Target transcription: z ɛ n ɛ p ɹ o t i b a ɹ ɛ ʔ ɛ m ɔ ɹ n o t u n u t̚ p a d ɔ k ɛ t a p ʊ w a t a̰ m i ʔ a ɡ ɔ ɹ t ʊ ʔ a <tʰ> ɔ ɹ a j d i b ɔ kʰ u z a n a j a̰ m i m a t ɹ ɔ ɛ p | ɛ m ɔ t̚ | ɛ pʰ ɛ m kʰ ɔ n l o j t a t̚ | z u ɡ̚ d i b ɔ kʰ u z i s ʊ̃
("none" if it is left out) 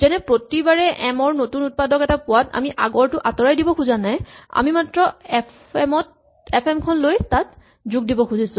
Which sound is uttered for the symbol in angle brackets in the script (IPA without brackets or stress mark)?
t